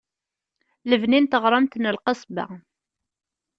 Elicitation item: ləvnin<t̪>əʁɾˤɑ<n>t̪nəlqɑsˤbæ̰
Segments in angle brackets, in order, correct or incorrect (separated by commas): correct, incorrect